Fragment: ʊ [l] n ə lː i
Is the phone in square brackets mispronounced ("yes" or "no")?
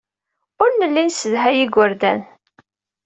yes